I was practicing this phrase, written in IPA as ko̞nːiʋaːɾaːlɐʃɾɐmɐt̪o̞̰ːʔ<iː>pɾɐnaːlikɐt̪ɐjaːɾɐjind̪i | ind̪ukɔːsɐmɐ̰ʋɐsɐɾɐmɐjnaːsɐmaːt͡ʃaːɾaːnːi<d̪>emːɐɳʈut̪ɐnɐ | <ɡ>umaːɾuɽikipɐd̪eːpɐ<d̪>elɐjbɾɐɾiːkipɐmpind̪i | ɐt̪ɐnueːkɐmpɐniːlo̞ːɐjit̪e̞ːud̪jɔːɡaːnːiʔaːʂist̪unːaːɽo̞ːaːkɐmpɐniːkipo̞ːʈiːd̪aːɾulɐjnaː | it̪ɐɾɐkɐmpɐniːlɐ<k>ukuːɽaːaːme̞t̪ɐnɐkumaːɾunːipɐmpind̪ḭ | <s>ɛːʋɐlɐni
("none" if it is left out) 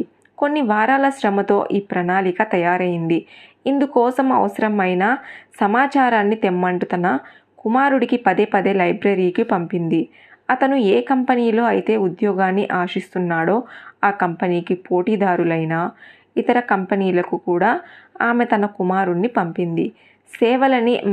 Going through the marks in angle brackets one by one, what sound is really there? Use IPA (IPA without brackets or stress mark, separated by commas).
iː, t̪, k, d̪, k, s